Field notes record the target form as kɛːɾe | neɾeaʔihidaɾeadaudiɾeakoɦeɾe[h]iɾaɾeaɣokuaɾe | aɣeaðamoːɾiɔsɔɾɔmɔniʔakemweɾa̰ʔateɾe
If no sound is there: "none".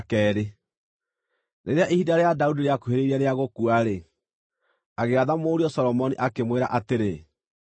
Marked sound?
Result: none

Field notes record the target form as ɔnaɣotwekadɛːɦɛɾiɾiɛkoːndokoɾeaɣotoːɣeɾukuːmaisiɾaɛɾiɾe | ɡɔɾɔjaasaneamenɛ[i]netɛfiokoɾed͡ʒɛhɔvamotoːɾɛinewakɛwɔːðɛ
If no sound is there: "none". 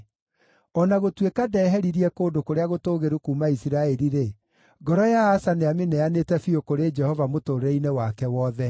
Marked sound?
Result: a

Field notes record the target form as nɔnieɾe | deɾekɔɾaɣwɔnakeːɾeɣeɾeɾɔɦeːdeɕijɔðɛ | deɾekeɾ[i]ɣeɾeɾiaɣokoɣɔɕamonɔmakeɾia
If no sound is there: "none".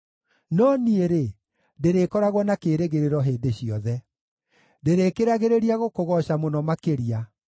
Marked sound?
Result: a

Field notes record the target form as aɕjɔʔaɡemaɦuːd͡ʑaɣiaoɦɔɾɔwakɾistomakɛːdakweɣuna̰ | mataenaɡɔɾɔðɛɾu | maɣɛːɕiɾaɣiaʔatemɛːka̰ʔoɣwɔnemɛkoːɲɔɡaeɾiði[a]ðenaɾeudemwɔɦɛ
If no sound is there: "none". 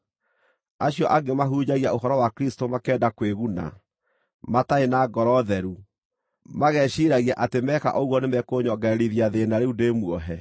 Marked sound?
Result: a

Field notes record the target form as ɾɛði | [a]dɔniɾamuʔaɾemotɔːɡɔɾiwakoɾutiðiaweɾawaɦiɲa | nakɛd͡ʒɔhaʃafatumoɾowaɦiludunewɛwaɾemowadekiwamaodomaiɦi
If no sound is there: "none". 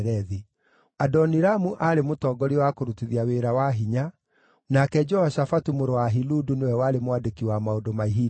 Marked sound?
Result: a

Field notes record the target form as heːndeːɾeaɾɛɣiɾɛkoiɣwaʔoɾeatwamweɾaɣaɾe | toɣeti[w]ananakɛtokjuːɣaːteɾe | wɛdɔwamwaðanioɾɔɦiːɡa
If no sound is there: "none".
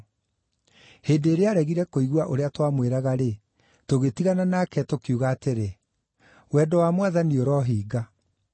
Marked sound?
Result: ɣ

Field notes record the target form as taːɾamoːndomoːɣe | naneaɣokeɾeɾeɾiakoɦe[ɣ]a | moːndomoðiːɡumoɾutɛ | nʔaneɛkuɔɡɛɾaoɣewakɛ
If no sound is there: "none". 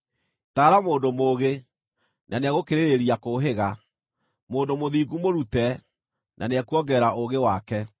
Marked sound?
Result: ɣ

